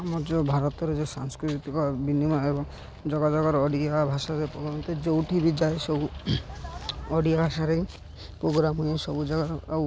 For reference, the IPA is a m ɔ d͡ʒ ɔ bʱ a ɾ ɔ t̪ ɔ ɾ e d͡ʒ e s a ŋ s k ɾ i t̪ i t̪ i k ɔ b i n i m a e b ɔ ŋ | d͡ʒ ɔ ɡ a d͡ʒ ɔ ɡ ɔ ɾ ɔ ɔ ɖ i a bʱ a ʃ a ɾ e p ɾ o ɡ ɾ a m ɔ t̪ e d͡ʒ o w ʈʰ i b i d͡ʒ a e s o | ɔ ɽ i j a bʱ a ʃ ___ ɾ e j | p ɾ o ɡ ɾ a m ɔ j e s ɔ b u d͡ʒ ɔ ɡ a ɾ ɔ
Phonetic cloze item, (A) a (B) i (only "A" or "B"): A